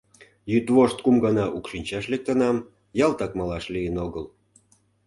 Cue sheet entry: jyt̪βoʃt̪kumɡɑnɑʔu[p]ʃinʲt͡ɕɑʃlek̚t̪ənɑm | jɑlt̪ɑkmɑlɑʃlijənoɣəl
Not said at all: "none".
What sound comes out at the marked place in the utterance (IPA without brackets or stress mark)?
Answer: k